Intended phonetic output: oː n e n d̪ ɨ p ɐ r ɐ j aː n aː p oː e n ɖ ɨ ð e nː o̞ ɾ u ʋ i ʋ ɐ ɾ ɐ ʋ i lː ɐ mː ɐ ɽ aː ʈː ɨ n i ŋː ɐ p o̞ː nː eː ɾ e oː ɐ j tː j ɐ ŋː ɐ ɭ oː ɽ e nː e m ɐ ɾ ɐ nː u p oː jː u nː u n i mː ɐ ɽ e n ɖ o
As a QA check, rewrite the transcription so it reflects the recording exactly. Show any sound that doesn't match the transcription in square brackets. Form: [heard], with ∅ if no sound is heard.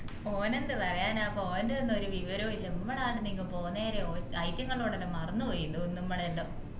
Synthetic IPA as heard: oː n e n d̪ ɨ p ɐ r ɐ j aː n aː p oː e n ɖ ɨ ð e nː o̞ ɾ u ʋ i ʋ ɐ ɾ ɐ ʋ i lː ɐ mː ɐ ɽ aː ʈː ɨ n i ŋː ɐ p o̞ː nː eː ɾ e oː ɐ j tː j ɐ ŋː ɐ ɭ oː ɽ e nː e m ɐ [r] ɐ nː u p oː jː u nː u n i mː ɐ ɽ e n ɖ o